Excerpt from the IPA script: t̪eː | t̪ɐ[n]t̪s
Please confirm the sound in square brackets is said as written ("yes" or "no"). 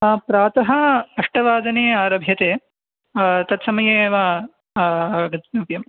no